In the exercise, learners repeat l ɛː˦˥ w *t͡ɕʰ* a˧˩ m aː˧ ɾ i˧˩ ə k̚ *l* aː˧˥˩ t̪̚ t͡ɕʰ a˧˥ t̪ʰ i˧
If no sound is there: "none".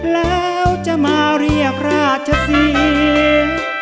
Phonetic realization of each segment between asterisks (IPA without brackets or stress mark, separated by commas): t͡ɕ, ɾ